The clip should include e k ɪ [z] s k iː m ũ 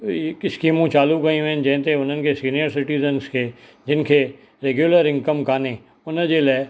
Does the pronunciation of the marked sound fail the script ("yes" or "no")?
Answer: yes